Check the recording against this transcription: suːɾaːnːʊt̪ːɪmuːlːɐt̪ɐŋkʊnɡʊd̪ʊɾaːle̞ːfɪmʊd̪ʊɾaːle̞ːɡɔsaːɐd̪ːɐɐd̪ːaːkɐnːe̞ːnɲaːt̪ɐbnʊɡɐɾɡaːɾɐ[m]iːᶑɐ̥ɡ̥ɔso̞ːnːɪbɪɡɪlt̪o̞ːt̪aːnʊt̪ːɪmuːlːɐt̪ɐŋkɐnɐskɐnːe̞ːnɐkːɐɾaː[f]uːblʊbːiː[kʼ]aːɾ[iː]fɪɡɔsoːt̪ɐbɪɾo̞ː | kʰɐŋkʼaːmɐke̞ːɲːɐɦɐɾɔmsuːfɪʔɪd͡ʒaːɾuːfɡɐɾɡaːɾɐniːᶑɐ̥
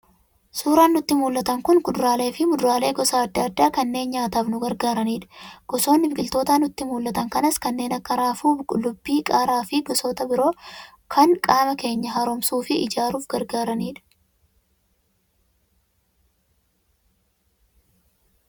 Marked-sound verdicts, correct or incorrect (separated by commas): incorrect, correct, correct, incorrect